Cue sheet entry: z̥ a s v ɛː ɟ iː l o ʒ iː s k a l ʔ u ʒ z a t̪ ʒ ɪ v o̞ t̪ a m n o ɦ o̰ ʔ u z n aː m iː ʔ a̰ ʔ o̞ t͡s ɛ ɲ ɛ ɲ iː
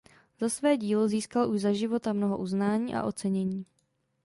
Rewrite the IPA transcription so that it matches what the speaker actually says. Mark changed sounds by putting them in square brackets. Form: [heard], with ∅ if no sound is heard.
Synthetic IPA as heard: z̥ a s v ɛː ɟ iː l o [z] iː s k a l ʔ u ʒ z a [∅] ʒ ɪ v o̞ t̪ a m n o ɦ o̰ ʔ u z n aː [ɲ] iː ʔ a̰ ʔ o̞ t͡s ɛ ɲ ɛ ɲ iː

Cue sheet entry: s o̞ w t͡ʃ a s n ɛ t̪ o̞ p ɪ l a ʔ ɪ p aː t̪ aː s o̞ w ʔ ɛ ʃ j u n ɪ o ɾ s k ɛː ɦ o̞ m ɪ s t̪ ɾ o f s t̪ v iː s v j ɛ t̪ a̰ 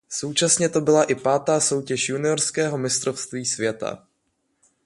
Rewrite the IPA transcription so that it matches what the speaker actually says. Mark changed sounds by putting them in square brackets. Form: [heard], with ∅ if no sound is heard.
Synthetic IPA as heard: s o̞ w t͡ʃ a s [ɲ] ɛ t̪ o̞ [b] ɪ l a ʔ ɪ p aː t̪ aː s o̞ w [c] ɛ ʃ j u n ɪ o ɾ s k ɛː ɦ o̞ m ɪ s t̪ ɾ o f s t̪ v iː s v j ɛ t̪ a̰

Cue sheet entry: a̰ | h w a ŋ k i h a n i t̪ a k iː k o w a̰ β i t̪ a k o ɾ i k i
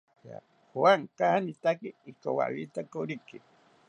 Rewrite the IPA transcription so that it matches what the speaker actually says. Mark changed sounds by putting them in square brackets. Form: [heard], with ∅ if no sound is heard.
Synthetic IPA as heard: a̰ | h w a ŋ k [a] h a n i t̪ a k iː k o w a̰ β i t̪ a k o ɾ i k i

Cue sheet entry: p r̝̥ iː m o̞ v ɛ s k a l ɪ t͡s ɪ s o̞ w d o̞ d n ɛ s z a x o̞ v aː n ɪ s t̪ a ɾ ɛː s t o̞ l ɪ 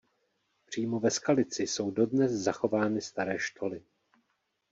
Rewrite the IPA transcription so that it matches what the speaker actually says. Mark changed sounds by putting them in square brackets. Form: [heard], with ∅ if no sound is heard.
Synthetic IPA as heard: p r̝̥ iː m o̞ v ɛ s k a l ɪ t͡s ɪ s o̞ w d o̞ d n ɛ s z a x o̞ v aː n ɪ s t̪ a ɾ ɛː [ʃ] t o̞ l ɪ

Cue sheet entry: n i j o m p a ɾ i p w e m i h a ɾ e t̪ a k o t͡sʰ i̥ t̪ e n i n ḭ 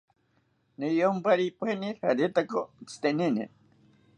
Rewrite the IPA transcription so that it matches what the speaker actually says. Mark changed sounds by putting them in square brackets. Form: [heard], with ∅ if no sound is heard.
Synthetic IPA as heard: n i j o m p a ɾ i p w e [n] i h a ɾ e t̪ a k o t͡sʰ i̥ t̪ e n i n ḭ

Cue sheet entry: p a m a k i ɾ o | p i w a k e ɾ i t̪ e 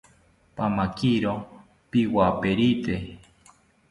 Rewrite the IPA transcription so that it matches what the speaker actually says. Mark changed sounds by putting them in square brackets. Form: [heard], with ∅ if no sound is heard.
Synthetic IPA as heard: p a m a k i ɾ o | p i w a [p] e ɾ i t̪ e

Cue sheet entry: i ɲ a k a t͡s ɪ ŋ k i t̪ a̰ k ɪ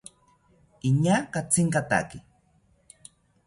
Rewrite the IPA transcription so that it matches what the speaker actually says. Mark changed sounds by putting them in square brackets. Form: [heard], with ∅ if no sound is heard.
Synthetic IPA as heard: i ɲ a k a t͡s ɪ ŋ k [a] t̪ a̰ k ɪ

